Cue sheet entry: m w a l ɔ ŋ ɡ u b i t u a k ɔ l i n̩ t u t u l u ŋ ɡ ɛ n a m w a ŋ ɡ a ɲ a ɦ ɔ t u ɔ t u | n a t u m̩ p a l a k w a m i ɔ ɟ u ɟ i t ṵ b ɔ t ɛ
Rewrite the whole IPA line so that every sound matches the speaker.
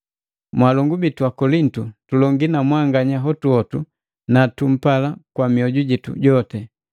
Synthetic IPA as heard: m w a l ɔ ŋ ɡ u b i t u a k ɔ l i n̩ t u t u l ɔ ŋ ɡ i n a m w a ŋ ɡ a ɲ a ɦ ɔ t u ɔ t u | n a t u m̩ p a l a k w a m i ɔ ɟ u ɟ i t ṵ ɟ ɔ t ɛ